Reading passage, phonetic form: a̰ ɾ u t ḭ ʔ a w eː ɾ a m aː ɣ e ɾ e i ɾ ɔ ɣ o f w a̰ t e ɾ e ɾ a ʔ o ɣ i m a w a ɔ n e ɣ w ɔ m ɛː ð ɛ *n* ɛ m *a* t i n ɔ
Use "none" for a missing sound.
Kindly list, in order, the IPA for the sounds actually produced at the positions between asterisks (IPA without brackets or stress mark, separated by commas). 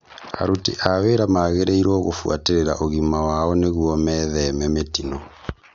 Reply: m, e